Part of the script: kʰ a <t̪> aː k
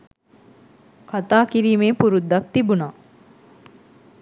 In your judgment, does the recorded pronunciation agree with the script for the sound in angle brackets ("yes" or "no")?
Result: yes